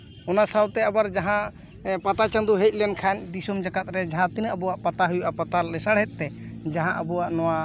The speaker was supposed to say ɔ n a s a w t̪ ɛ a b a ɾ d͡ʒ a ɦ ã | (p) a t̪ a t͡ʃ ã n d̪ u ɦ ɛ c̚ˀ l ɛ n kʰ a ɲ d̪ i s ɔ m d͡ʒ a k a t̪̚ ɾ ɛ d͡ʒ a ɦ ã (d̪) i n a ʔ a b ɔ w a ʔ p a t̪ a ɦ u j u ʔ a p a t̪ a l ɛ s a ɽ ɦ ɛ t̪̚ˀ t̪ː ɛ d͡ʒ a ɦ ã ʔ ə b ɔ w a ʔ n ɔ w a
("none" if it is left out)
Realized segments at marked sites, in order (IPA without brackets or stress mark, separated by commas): p, t̪